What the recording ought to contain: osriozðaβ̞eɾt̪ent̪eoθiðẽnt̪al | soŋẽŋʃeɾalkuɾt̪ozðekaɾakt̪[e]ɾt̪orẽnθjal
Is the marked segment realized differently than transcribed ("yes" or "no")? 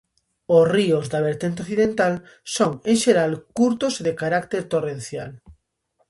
no